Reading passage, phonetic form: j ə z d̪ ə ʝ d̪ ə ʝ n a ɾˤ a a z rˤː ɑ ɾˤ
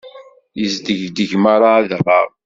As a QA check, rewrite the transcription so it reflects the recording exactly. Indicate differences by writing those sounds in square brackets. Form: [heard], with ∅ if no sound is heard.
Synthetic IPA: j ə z d̪ ə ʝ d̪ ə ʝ [m] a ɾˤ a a [ð] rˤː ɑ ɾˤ